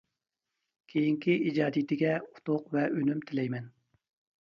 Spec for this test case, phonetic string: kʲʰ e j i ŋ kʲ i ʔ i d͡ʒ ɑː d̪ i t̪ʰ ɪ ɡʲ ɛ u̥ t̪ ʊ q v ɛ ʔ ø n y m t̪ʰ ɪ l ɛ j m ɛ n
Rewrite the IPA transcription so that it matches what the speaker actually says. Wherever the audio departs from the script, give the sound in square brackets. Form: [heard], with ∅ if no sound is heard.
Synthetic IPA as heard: kʲʰ e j i ŋ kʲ i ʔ i d͡ʒ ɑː d̪ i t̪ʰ ɪ ɡʲ ɛ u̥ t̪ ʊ q v ɛ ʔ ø n y m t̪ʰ ɪ l ɛ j m ɛ n